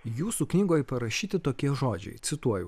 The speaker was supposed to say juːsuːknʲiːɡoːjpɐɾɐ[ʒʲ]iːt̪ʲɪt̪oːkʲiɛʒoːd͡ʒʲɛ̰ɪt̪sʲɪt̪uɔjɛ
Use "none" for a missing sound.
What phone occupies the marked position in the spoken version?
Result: ʃʲ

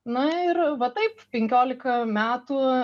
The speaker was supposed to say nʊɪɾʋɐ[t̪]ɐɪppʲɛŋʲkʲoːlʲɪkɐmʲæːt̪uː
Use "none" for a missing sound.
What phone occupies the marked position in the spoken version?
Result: t̪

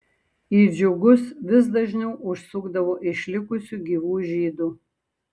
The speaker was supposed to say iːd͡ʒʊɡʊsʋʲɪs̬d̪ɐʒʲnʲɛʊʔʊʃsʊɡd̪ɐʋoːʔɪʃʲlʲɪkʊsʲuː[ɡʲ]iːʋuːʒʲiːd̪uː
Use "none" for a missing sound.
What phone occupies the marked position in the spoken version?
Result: ɡʲ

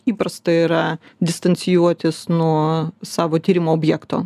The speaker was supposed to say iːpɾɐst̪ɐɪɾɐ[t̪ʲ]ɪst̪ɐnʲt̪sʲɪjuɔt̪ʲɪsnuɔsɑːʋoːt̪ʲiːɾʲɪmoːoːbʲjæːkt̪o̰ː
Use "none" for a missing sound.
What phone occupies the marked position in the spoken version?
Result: d̪ʲ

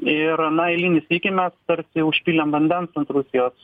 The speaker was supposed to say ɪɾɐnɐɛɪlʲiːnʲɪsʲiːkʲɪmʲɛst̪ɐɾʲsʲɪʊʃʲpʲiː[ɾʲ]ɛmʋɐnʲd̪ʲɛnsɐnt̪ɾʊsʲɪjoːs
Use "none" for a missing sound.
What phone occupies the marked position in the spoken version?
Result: lʲ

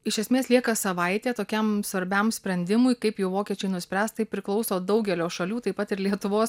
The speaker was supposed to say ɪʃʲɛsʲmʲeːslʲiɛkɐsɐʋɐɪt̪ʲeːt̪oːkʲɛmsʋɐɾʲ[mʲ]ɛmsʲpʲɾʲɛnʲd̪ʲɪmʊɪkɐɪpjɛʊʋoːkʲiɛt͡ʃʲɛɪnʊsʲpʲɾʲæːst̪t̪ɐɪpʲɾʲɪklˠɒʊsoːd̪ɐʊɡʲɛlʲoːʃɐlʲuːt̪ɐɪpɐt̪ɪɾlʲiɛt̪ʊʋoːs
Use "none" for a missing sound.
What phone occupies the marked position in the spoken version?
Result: bʲ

